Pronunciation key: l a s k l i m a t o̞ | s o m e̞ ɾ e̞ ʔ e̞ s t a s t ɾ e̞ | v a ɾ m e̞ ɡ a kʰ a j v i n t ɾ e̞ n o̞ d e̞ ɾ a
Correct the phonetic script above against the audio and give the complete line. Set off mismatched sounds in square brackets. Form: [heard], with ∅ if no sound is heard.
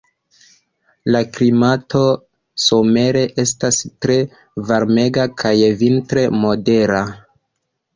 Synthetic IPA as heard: l a [∅] k l i m a t o̞ | s o m e̞ ɾ e̞ ʔ e̞ s t a s t ɾ e̞ | v a ɾ m e̞ ɡ a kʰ a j v i n t ɾ e̞ [m] o̞ d e̞ ɾ a

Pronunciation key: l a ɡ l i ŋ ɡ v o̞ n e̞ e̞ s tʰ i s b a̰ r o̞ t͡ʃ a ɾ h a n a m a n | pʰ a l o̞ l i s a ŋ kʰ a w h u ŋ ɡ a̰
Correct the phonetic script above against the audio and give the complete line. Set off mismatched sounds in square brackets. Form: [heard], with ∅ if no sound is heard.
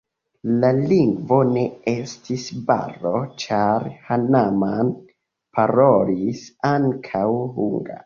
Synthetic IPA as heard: l a [∅] l i ŋ ɡ v o̞ n e̞ e̞ s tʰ i s b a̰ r o̞ t͡ʃ a ɾ h a n a m a n | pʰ a [ɾ] o̞ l i s a ŋ kʰ a w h u ŋ ɡ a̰

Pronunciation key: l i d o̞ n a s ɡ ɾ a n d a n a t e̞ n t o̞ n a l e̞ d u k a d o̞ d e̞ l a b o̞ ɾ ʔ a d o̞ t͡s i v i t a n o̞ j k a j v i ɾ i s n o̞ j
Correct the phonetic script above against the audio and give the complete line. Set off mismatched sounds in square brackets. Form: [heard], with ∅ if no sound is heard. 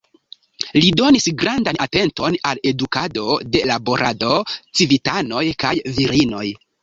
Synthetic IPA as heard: l i d o̞ n [i] s ɡ ɾ a n d a n a t e̞ n t o̞ n a l e̞ d u k a d o̞ d e̞ l a b o̞ ɾ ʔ a d o̞ t͡s i v i t a n o̞ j k a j v i ɾ i [∅] n o̞ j

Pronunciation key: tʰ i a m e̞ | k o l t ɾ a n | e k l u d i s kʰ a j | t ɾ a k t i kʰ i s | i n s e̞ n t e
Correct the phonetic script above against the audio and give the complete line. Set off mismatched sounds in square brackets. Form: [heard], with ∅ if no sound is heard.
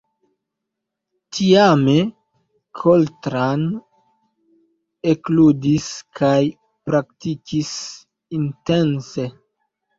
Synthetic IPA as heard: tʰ i a m e̞ | [kʰ] o l t ɾ a n | e k l u d i s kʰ a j | [p] ɾ a k t i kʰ i s | i n [t] e̞ n [s] e

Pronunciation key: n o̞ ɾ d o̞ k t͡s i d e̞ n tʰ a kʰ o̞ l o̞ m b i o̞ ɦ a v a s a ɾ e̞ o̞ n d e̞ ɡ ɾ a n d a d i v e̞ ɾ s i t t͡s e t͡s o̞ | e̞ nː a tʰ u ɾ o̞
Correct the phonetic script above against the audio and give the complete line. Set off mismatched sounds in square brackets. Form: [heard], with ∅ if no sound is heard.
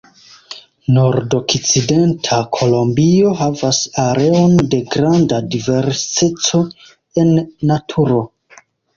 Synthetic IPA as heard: n o̞ ɾ d o̞ k t͡s i d e̞ n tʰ a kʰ o̞ l o̞ m b i o̞ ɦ a v a s a ɾ e̞ o̞ n d e̞ ɡ ɾ a n d a d i v e̞ ɾ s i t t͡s e t͡s o̞ | e̞ nː a tʰ u ɾ o̞

